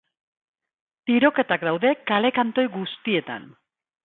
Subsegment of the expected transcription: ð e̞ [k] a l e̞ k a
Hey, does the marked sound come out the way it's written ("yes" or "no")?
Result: yes